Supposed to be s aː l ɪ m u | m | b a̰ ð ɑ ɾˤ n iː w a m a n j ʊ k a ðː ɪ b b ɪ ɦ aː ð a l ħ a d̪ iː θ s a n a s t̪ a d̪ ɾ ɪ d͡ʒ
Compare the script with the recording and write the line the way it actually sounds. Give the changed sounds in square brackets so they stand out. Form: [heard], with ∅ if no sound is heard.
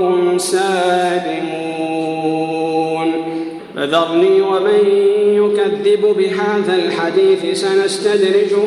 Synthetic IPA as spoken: s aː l ɪ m u | [n] | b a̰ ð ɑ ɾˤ n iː w a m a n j ʊ k a ðː ɪ b b ɪ ɦ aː ð a l ħ a d̪ iː θ s a n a s t̪ a d̪ ɾ ɪ d͡ʒ